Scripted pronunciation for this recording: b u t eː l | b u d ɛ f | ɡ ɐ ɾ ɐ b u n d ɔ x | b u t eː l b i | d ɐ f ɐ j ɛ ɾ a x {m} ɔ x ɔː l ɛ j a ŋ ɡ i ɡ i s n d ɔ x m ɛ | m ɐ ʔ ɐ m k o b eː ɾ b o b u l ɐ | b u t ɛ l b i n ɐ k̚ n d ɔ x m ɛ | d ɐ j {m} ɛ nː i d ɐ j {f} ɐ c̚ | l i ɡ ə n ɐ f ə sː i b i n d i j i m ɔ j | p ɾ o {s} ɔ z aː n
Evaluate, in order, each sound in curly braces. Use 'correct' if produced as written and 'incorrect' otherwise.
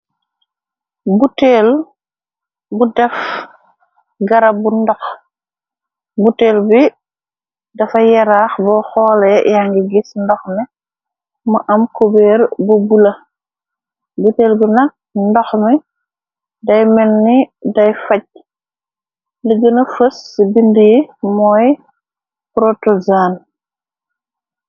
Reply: incorrect: b, correct, correct, incorrect: t

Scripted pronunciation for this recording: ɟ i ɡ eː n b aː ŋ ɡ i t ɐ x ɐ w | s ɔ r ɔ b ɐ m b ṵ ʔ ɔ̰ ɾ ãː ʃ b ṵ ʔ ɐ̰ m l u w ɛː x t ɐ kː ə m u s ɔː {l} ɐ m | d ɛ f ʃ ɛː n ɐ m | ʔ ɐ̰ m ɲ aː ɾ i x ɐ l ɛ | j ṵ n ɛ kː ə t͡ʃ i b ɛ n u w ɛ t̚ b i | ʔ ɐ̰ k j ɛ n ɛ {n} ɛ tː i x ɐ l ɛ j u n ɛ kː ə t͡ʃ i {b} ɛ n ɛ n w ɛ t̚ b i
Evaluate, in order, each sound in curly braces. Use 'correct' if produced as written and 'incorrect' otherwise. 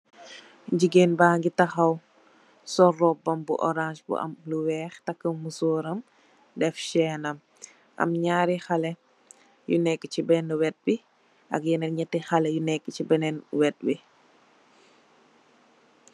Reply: incorrect: ɾ, incorrect: ɲ, correct

